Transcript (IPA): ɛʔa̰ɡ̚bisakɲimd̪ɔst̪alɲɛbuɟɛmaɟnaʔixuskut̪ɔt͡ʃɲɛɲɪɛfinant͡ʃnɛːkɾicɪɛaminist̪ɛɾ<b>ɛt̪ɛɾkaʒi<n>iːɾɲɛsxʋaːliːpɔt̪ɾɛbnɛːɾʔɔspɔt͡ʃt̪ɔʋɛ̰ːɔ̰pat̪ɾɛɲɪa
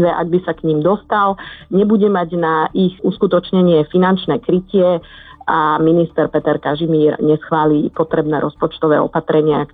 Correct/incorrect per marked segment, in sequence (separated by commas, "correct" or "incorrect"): incorrect, incorrect